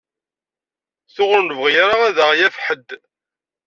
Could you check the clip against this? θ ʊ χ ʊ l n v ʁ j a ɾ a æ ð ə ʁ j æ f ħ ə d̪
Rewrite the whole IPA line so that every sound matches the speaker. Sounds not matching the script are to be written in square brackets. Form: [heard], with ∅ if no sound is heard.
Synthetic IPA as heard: θ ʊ [ʁ] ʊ [ɾ] n v ʁ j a ɾ a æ ð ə ʁ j æ f ħ ə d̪